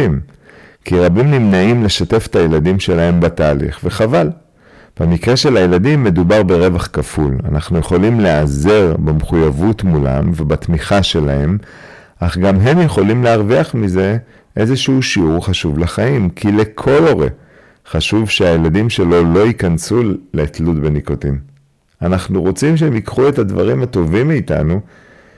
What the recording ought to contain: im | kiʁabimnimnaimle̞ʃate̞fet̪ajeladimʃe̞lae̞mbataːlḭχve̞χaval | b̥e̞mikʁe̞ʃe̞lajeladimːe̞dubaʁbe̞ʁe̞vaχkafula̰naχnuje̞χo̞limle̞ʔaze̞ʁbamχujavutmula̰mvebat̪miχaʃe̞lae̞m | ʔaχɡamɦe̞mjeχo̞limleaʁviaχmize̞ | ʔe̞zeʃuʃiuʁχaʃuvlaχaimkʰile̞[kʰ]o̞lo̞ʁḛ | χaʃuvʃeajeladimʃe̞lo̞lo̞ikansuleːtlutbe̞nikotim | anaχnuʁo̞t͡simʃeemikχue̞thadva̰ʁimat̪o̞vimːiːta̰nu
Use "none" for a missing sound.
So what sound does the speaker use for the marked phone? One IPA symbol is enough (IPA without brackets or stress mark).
kʰ